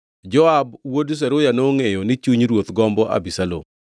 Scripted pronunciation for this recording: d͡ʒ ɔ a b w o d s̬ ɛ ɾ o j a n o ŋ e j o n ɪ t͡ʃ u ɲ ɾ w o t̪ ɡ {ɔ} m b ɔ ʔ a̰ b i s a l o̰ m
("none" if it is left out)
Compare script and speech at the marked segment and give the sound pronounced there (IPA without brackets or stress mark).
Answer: ɔ